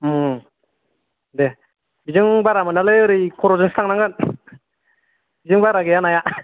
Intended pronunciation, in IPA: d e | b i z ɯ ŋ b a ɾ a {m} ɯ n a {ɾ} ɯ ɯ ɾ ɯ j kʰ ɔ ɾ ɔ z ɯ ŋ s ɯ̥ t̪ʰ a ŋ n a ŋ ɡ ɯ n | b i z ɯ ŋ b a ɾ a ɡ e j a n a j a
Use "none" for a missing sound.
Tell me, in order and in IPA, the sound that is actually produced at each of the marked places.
m, l

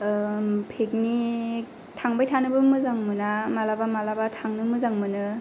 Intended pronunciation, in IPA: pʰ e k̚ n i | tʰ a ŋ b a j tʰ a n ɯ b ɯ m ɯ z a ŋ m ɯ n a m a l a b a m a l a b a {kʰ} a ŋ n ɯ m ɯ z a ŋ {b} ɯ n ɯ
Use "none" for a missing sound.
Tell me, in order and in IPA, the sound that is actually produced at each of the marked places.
tʰ, m

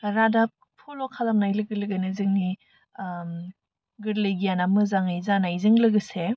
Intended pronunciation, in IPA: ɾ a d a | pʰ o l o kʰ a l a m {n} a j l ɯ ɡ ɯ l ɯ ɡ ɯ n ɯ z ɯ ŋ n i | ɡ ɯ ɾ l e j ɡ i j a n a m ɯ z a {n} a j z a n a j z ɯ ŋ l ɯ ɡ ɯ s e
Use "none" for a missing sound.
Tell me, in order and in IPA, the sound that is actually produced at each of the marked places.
n, ŋ

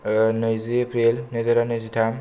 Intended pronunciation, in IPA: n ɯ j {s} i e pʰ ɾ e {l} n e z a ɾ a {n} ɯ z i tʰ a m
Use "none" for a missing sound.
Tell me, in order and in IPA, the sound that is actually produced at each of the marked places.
z, l, n

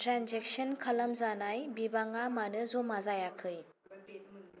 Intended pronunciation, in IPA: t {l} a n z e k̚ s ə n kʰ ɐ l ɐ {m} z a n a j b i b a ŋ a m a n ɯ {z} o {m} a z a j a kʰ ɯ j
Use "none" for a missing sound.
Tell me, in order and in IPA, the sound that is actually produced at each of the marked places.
ɾ, m, z, m

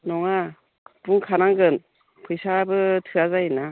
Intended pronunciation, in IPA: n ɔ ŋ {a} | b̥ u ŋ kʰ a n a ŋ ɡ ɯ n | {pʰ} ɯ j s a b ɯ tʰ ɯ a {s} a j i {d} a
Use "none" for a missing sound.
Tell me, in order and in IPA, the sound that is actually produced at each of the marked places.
a, pʰ, z, n

